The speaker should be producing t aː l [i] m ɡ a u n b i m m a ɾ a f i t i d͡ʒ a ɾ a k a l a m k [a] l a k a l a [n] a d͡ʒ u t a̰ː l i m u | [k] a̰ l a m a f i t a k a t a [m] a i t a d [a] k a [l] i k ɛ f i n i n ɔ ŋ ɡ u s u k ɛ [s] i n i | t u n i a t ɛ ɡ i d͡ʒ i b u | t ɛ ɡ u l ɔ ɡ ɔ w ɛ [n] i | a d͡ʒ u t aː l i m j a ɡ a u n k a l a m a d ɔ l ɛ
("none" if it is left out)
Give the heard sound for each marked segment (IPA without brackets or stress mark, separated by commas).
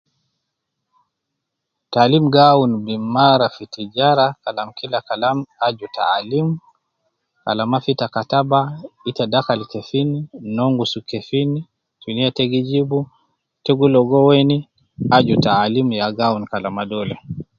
i, i, m, k, b, a, l, f, n